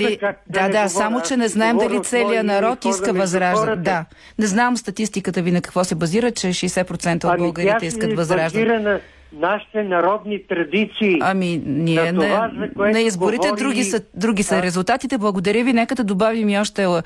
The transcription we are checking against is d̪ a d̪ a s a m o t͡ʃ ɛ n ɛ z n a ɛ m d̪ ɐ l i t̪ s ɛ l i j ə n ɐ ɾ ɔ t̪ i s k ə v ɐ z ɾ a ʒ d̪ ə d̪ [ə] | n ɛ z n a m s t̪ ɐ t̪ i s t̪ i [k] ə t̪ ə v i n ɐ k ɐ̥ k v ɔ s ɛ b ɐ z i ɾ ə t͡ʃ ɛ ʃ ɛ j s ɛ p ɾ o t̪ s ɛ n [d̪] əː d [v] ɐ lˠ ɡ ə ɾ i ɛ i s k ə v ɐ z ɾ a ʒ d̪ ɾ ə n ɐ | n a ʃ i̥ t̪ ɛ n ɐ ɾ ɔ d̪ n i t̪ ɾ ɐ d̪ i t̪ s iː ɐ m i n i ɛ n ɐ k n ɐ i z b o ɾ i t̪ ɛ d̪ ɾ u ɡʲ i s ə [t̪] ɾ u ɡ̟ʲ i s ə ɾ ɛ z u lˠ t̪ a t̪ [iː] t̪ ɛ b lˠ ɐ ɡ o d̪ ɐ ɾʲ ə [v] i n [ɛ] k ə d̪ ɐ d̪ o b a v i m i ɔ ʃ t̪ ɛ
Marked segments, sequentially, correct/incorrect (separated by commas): incorrect, correct, incorrect, incorrect, incorrect, incorrect, correct, correct